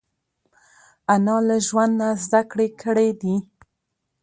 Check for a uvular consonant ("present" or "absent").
absent